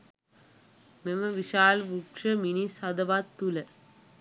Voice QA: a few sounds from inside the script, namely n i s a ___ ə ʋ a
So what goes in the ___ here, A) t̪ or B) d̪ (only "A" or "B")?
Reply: B